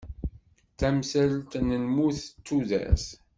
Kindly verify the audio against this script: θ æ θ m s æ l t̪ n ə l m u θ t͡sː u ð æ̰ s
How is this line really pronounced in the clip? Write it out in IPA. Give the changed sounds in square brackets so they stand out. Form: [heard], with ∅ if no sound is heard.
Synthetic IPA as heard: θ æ [∅] m s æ l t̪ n ə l m u θ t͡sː u ð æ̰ s

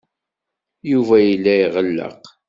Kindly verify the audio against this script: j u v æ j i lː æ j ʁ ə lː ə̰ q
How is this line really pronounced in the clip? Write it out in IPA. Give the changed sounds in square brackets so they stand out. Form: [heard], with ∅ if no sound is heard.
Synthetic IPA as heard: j u v æ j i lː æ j ʁ ə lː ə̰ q

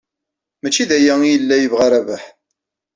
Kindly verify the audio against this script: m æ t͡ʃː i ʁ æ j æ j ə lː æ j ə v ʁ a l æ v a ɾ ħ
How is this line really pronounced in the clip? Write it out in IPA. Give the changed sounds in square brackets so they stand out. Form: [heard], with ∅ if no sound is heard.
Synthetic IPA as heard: m æ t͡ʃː i [ð] æ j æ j ə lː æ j ə v ʁ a [ɾ] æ v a [∅] ħ

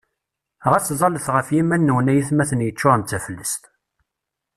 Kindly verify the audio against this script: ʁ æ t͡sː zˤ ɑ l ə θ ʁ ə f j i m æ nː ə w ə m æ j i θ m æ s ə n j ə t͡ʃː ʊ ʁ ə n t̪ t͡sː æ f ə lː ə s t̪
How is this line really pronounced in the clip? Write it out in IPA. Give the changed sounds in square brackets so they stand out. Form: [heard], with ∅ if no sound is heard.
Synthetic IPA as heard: ʁ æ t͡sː zˤ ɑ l ə θ ʁ ə f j i m æ nː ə w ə [n] æ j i θ m æ [θ] ə n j ə t͡ʃː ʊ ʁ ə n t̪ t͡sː æ f ə lː ə s t̪

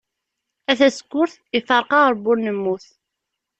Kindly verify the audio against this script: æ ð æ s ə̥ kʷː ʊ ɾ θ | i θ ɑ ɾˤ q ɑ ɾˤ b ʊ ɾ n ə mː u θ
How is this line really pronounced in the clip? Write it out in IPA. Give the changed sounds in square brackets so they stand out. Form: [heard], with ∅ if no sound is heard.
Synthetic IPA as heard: æ [θ] æ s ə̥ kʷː ʊ ɾ θ | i [f] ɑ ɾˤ q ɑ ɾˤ b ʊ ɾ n ə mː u θ

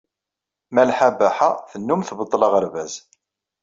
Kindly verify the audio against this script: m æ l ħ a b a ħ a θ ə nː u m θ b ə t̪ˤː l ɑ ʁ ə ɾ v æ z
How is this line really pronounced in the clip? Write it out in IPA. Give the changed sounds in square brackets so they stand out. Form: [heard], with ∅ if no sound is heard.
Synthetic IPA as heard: m æ l ħ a b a ħ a θ ə nː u m θ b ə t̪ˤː l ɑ ʁ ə ɾ v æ z

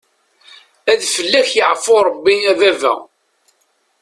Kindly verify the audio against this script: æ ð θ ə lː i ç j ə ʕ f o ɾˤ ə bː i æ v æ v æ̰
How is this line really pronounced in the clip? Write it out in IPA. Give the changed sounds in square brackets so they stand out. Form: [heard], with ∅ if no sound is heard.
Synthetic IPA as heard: æ ð [f] ə lː [æ] ç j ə ʕ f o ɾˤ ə bː i æ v æ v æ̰

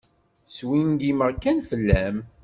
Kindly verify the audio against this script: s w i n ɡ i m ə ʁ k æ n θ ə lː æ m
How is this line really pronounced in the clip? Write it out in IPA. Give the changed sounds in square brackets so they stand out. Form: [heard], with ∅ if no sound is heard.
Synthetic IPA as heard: s w i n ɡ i m ə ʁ k æ n [f] ə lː æ m

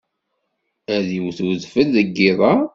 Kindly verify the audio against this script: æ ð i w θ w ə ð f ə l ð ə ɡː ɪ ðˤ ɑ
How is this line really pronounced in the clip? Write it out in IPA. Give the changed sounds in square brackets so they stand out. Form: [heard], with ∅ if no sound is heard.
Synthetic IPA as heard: æ ð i w θ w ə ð f ə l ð ə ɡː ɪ ðˤ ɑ

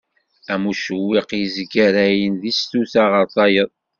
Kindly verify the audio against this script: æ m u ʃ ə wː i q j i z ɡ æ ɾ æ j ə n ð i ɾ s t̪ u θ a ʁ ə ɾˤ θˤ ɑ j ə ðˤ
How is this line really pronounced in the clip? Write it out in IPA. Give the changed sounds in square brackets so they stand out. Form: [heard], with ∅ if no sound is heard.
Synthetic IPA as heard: æ m u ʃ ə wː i q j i z ɡ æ ɾ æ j ə n ð i [∅] s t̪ u θ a ʁ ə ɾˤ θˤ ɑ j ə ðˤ

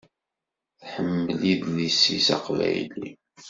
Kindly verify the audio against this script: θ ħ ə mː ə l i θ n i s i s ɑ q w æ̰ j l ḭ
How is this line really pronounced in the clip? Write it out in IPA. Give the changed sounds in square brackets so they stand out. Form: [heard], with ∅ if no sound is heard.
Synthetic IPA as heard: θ ħ ə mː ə l i [ð] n i s i s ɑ q [v] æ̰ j l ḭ

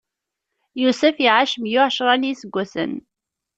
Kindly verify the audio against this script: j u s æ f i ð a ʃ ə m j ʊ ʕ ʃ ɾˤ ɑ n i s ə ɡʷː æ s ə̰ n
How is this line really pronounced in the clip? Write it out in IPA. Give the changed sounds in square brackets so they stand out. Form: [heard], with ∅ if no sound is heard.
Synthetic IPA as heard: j u s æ f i [ʕ] a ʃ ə m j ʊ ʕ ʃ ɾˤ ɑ n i s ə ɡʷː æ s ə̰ n

